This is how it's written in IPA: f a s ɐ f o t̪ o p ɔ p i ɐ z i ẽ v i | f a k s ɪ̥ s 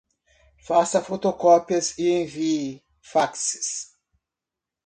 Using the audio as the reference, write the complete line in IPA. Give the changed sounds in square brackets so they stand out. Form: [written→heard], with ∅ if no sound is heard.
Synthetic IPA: f a s ɐ f o t̪ o [p→k] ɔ p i ɐ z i ẽ v i | f a k s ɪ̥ s